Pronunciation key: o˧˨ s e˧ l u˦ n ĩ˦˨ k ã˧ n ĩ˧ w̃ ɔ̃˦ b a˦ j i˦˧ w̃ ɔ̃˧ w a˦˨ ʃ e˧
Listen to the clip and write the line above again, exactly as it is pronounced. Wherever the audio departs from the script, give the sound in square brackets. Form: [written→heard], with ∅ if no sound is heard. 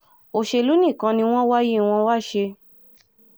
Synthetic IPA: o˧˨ [s→ʃ] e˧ l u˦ n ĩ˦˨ k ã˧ n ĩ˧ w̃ ɔ̃˦ [b→w] a˦ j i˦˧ w̃ ɔ̃˧ w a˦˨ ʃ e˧

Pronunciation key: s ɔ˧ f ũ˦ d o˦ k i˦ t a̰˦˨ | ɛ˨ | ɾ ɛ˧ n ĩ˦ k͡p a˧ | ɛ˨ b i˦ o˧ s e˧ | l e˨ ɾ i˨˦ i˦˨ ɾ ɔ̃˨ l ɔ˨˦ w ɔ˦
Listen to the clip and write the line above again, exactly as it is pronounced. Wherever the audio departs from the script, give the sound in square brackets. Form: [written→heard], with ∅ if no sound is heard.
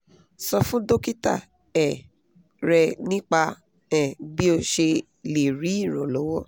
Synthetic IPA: s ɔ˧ f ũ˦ d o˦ k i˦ t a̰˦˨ | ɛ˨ | ɾ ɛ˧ n ĩ˦ k͡p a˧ | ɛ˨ b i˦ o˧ [s→ʃ] e˧ | l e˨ ɾ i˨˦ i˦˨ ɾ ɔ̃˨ l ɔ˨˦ w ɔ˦

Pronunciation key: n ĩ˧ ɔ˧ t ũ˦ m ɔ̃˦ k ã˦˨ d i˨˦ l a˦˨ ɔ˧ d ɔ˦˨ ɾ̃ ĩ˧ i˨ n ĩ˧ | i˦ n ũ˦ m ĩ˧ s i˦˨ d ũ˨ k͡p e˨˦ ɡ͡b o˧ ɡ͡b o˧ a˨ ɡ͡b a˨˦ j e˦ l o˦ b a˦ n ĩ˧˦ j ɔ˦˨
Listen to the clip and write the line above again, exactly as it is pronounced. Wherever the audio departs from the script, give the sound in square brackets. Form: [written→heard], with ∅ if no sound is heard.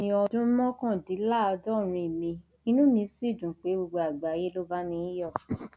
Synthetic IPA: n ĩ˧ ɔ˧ [t→d] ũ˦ m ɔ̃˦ k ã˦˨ d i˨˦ l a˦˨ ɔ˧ d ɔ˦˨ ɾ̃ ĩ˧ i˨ [n→m] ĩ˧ | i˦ n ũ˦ m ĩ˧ s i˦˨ d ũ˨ k͡p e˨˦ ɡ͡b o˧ ɡ͡b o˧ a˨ ɡ͡b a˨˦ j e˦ l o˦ b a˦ n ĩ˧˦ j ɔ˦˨

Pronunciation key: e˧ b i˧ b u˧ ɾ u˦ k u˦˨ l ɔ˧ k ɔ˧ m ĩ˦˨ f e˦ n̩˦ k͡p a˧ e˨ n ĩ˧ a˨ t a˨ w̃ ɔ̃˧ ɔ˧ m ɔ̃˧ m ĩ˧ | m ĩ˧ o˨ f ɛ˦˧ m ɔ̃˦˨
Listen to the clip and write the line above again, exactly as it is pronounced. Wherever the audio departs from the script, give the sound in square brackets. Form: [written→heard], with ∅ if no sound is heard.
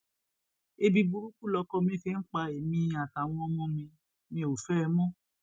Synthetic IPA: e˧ b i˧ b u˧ ɾ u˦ k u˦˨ l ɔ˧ k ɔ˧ m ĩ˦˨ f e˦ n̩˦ k͡p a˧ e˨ [n→m] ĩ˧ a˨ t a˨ w̃ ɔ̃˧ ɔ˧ m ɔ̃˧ m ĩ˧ | m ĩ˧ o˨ f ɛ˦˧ m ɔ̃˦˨

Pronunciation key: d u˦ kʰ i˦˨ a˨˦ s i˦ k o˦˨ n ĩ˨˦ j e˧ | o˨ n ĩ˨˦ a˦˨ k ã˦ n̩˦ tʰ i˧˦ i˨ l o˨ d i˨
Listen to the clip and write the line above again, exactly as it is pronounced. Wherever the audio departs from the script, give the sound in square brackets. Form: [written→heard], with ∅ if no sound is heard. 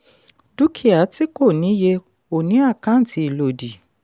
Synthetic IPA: d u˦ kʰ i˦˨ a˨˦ [s→t] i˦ k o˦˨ n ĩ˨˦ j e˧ | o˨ n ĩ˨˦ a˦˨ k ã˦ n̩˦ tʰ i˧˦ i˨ l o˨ d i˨

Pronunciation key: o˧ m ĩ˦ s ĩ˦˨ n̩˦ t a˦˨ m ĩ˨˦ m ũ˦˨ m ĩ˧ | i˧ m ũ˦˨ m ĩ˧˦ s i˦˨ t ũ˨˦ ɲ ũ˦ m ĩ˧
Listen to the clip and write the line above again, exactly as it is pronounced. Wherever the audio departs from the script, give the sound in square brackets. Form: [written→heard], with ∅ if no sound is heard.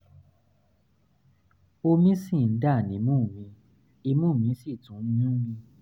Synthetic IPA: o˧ m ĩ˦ s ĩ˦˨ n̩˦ [t→d] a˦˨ [m→n] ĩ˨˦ m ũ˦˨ m ĩ˧ | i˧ m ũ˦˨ m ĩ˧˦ s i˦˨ t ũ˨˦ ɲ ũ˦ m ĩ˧

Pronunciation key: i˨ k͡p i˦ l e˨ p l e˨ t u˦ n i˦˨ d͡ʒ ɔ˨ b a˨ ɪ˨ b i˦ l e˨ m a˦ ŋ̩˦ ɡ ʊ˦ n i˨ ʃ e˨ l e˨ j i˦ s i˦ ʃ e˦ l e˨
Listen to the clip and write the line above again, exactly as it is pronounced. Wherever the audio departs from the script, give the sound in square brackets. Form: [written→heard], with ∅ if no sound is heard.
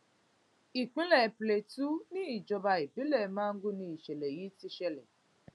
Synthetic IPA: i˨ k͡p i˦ l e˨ p l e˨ t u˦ n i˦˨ d͡ʒ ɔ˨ b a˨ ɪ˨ b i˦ l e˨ m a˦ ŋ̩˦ ɡ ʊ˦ n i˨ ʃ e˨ l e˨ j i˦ [s→t] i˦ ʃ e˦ l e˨

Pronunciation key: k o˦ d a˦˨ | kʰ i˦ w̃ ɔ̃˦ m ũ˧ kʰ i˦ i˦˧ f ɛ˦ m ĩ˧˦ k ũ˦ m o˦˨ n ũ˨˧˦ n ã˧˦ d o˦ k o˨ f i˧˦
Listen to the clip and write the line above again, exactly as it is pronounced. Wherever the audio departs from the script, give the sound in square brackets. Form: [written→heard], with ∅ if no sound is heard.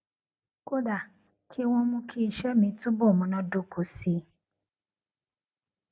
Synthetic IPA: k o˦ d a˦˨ | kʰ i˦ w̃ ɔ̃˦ m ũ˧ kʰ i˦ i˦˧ [f→ʃ] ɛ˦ m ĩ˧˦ [k→t] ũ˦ [m→b] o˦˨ [n→m] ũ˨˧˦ n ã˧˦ d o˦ k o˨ [f→s] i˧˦

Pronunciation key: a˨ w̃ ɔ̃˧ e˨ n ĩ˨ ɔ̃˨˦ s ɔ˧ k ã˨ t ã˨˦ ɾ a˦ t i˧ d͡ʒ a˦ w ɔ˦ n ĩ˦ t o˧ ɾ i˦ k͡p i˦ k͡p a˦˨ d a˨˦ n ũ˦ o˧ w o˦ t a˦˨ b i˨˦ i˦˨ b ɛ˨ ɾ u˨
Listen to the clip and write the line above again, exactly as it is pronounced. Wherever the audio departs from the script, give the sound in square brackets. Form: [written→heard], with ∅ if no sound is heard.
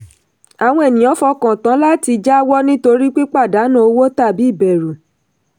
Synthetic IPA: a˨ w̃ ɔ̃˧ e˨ n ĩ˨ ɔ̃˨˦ [s→f] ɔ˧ k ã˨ t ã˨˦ [ɾ→l] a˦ t i˧ d͡ʒ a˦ w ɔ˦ n ĩ˦ t o˧ ɾ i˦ k͡p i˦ k͡p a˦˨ d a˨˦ n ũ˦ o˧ w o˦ t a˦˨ b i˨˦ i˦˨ b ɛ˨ ɾ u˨

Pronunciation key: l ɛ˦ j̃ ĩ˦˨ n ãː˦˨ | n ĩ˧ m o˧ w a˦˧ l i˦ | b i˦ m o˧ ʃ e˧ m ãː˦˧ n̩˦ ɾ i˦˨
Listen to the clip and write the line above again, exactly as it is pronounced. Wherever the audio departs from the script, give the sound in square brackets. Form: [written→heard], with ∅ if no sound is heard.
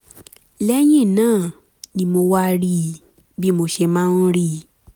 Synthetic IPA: l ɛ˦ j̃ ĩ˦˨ n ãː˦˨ | n ĩ˧ m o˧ w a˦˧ [l→ɾ] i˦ | b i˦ m o˧ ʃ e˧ m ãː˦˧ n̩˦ ɾ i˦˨

